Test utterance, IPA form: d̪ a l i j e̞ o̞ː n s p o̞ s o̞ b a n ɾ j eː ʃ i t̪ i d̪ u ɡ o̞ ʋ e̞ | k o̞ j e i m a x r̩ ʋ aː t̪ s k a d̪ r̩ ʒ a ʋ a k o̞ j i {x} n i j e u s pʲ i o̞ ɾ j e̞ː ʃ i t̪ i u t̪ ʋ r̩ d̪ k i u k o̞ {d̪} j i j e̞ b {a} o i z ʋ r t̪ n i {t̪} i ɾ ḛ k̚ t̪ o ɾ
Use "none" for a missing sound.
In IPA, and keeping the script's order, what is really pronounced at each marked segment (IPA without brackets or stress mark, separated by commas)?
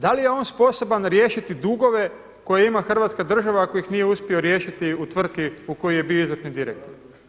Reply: x, none, i, d̪